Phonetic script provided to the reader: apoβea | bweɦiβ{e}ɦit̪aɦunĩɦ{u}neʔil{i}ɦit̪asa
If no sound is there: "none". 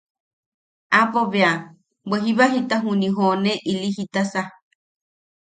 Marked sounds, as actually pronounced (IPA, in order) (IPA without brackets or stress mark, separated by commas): a, o, i